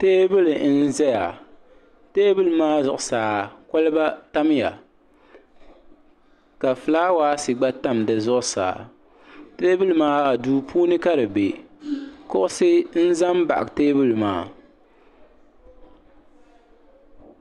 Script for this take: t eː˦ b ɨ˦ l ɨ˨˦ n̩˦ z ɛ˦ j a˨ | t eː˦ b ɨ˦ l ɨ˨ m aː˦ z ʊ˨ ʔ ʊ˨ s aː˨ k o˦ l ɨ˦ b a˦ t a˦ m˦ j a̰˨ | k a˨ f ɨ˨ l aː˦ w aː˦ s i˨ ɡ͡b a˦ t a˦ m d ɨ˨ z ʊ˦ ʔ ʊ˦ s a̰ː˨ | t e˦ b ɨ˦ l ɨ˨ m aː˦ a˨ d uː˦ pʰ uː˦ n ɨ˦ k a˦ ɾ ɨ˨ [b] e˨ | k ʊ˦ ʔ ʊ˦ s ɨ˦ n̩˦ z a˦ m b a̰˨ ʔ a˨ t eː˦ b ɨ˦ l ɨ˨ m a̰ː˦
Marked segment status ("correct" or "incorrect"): correct